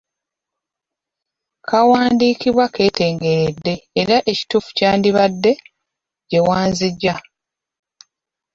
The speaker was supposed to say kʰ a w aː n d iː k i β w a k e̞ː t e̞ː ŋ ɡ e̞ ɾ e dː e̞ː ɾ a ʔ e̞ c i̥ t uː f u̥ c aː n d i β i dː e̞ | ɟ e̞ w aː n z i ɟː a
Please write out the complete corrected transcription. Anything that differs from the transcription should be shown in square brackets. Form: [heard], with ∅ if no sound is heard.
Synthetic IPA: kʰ a w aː n d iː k i β w a k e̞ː t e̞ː ŋ ɡ e̞ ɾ e dː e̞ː ɾ a ʔ e̞ c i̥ t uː f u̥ c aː n d i β [a] dː e̞ | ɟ e̞ w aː n z i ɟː a